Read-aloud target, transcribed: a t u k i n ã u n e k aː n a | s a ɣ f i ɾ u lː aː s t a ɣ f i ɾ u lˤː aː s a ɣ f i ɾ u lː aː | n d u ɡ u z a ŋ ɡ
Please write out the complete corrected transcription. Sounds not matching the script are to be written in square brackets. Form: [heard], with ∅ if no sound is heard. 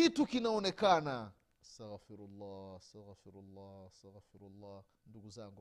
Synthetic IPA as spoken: [i] t u k i n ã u n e k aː n a | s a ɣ f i ɾ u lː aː s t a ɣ f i ɾ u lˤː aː s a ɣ f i ɾ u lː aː | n d u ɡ u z a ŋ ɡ